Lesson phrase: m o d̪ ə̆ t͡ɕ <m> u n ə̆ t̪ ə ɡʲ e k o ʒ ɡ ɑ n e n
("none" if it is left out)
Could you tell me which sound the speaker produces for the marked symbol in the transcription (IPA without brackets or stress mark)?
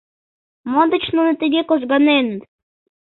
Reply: n